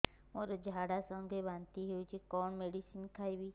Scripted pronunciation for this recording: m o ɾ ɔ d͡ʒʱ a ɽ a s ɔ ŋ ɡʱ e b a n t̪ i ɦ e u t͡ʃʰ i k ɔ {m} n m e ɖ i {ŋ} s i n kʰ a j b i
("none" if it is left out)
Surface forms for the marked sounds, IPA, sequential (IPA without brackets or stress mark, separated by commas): none, none